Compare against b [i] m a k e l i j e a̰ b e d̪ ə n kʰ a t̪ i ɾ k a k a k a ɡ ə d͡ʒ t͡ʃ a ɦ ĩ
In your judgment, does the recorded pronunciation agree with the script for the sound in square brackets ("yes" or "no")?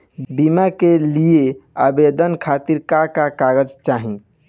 yes